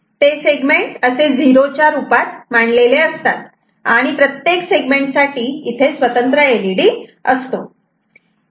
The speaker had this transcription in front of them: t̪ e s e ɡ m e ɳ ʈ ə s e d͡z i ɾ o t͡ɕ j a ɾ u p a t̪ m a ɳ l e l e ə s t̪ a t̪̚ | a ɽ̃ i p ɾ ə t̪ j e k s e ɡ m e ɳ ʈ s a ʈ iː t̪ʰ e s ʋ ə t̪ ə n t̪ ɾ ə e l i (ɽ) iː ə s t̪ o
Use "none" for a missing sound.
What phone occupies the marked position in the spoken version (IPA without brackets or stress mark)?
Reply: ɽ